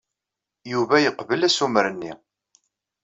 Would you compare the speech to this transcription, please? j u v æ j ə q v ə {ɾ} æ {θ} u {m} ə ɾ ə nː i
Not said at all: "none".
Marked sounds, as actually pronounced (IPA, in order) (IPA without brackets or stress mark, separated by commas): l, s, m